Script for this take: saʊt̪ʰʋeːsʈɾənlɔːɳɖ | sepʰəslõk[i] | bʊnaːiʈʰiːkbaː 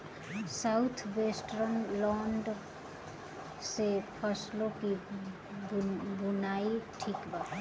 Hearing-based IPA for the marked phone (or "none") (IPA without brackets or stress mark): i